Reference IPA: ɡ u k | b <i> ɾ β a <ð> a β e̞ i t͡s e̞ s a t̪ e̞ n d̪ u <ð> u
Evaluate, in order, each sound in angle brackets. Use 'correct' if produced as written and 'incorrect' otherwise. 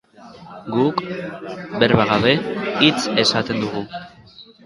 incorrect: e, incorrect: ɣ, incorrect: ɣ

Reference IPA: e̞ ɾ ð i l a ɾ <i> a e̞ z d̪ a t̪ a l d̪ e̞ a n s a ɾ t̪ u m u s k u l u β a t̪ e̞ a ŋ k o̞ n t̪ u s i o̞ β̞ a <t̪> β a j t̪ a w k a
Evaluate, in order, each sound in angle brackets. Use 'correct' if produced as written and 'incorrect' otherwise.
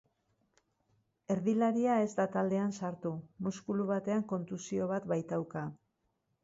correct, correct

